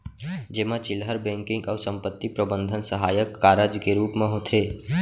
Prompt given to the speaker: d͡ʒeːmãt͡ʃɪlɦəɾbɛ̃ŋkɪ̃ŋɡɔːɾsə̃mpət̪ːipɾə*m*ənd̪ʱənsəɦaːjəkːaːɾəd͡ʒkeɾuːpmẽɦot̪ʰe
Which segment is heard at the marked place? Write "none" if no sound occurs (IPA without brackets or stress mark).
b